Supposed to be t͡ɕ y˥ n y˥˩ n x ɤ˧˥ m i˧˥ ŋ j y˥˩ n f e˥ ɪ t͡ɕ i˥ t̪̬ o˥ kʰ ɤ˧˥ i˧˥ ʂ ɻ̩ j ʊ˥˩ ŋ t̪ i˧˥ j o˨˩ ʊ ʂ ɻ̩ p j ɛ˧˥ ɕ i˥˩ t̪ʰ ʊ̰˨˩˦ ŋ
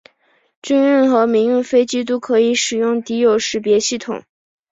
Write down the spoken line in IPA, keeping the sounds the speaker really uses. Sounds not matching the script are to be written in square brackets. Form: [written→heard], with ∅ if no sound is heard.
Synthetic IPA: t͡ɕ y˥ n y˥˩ n x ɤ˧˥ m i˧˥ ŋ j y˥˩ n f e˥ ɪ t͡ɕ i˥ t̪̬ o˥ kʰ ɤ˧˥ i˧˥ ʂ ɻ̩ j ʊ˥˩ ŋ t̪ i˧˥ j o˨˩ ʊ ʂ ɻ̩ p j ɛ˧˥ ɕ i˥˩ t̪ʰ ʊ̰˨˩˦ ŋ

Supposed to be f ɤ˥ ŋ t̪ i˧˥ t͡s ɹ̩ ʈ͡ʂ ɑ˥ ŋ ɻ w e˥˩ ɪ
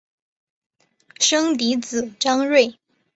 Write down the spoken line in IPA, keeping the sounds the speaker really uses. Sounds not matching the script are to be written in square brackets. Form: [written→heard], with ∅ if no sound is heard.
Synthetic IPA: [f→ʂ] ɤ˥ ŋ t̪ i˧˥ t͡s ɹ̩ ʈ͡ʂ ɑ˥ ŋ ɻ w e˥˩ ɪ

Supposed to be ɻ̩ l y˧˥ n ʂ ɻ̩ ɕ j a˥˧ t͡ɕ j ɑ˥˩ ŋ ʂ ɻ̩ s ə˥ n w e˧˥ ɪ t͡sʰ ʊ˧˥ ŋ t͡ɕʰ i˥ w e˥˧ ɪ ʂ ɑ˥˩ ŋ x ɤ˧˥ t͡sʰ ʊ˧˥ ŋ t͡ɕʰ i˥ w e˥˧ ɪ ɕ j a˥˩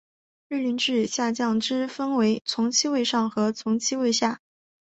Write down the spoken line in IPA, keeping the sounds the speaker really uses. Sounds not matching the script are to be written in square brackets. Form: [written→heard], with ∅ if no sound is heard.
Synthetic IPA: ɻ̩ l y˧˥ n [ʂ→ʈ͡ʂ] ɻ̩ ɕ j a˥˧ t͡ɕ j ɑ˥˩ ŋ [ʂ→ʈ͡ʂ] ɻ̩ [s→f] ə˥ n w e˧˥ ɪ t͡sʰ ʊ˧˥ ŋ t͡ɕʰ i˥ w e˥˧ ɪ ʂ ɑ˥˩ ŋ x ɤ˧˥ t͡sʰ ʊ˧˥ ŋ t͡ɕʰ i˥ w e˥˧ ɪ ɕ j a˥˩

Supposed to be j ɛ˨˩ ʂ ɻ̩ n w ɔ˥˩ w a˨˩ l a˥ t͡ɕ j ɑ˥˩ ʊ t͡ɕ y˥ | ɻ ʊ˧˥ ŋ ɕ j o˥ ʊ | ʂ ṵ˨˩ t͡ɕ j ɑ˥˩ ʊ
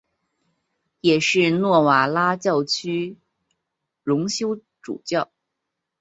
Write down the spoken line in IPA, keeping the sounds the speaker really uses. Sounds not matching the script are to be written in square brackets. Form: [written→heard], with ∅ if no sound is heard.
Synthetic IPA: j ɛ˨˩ ʂ ɻ̩ n w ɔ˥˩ w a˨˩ l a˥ t͡ɕ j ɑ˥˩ ʊ [t͡ɕ→t͡ɕʰ] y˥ | ɻ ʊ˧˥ ŋ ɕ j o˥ ʊ | [ʂ→ʈ͡ʂ] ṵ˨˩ t͡ɕ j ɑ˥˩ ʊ

